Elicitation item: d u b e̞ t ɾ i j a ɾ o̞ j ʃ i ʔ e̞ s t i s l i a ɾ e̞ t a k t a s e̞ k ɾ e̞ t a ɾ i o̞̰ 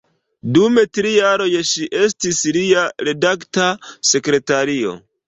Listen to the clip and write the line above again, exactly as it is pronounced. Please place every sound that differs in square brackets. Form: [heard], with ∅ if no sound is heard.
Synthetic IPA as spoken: d u [m] e̞ t ɾ i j a ɾ o̞ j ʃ i ʔ e̞ s t i s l i a ɾ e̞ [d] a k t a s e̞ k ɾ e̞ t a ɾ i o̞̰